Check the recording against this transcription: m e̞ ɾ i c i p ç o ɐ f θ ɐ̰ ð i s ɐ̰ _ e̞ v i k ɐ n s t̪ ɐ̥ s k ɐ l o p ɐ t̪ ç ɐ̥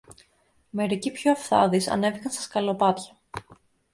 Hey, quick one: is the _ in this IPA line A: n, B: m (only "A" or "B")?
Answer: A